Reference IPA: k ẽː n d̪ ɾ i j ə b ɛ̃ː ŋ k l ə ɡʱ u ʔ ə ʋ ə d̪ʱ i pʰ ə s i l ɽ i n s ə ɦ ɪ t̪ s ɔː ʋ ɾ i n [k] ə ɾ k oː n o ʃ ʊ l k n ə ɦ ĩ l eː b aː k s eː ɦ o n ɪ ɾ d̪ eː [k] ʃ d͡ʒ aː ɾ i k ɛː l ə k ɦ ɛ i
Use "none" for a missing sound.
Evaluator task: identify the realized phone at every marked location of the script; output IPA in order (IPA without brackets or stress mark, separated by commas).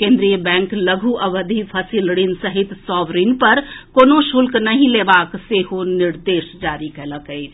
p, none